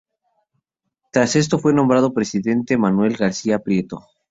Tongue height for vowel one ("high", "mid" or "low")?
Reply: low